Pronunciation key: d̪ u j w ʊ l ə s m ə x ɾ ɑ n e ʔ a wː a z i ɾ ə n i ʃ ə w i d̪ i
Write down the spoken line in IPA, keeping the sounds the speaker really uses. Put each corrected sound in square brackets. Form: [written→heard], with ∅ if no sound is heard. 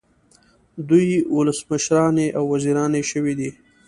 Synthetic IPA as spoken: d̪ u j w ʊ l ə s m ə [x→ʃ] ɾ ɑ n e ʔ a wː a z i ɾ [ə→ɑ] n [i→e] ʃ ə w i d̪ i

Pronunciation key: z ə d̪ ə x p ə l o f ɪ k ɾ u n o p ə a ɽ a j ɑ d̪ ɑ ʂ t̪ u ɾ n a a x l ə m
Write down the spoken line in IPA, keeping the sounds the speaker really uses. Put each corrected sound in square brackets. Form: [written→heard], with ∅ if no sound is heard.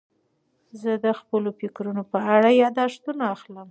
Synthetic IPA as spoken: z ə d̪ ə x p ə l o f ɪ k ɾ u n o p ə a ɽ a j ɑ d̪ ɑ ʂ t̪ u [ɾ→∅] n a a x l ə m

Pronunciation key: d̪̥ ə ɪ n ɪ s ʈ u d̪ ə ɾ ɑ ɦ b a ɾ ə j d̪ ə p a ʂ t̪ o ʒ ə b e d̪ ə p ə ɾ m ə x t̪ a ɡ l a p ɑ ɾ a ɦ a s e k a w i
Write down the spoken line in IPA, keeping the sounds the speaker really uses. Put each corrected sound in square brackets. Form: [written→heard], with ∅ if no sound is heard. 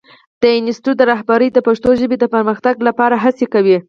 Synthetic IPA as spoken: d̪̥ ə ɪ n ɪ s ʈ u d̪ ə ɾ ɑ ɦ b a ɾ ə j d̪ ə p a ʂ t̪ o ʒ ə b e d̪ ə p ə ɾ m ə x t̪ a ɡ l a p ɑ ɾ a ɦ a s e k a w i

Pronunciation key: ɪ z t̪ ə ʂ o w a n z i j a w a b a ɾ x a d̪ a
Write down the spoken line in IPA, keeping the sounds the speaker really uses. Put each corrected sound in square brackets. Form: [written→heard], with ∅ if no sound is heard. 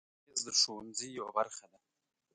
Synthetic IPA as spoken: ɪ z [t̪→d̪] ə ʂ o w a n z i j a w a b a ɾ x a d̪ a

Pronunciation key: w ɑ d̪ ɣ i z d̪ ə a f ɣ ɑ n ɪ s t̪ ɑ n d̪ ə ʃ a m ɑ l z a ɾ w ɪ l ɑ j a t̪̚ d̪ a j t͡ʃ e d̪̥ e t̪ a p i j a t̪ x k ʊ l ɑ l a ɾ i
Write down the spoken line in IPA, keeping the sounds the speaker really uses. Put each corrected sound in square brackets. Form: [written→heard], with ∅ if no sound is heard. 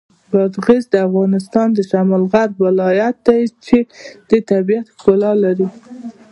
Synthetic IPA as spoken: [w→b] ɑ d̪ ɣ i z d̪ ə a f ɣ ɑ n ɪ s t̪ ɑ n d̪ ə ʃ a m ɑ l [z→ɣ] a ɾ w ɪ l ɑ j a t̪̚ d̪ a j t͡ʃ e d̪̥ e t̪ a [p→b] i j a t̪ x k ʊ l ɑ l a ɾ i

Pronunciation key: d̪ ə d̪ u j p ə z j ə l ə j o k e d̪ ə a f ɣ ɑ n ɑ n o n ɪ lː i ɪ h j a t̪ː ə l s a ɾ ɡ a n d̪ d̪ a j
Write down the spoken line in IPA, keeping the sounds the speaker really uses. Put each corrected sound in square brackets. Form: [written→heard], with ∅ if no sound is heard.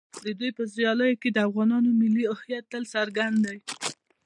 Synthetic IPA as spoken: d̪ ə d̪ u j p ə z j [ə→ɑ] l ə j o k e d̪ ə a f ɣ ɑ n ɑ n o [n→m] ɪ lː i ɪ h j a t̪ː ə l s a ɾ ɡ a n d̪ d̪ a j

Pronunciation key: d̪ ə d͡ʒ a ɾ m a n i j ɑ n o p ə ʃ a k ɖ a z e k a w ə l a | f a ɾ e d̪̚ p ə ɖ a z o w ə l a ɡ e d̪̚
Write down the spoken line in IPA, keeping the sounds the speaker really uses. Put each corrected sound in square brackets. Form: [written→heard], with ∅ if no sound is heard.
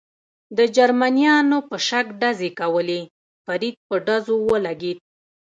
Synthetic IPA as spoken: d̪ ə d͡ʒ a ɾ m a n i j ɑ n o p ə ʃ a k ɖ a z e k a w ə l [a→e] | f a ɾ [e→i] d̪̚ p ə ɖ a z o w ə l a ɡ e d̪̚

